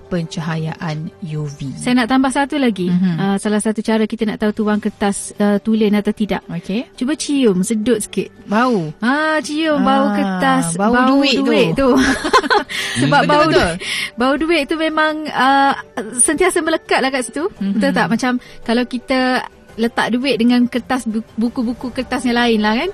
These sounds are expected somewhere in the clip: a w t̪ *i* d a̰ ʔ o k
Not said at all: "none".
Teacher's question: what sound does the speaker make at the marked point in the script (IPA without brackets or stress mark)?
i